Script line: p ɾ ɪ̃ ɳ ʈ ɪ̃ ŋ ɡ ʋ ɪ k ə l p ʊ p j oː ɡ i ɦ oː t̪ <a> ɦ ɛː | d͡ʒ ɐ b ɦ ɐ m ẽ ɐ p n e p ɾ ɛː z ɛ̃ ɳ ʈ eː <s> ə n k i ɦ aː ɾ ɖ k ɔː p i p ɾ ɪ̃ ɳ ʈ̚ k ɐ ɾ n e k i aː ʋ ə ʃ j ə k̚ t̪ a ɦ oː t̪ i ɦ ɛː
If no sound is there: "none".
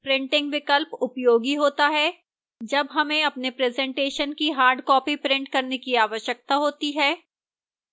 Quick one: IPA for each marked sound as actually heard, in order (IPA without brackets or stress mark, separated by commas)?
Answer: a, ʃ